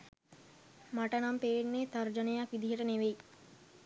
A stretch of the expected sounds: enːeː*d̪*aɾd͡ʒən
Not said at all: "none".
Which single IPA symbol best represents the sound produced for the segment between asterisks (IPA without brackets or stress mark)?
t̪